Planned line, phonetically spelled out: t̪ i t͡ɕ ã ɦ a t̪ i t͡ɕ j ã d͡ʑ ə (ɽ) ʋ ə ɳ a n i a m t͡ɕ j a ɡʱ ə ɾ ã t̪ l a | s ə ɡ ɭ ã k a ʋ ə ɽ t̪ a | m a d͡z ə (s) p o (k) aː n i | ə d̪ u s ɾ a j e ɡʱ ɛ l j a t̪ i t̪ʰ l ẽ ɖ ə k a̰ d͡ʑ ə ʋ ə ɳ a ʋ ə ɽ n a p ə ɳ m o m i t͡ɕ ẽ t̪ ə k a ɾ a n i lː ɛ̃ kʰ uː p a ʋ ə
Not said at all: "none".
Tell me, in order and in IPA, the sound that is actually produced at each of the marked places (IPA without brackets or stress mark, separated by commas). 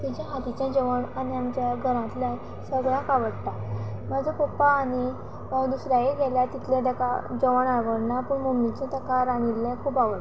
none, none, p